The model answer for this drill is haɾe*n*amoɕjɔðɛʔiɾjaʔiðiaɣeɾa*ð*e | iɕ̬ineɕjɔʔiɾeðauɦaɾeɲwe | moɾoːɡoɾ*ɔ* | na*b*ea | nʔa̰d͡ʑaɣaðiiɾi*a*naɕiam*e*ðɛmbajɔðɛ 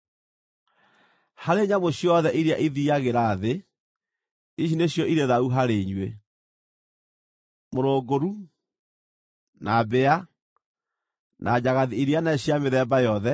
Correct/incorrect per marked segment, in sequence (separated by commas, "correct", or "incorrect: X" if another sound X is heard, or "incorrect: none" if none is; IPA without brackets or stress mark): incorrect: ɲ, correct, incorrect: u, correct, correct, correct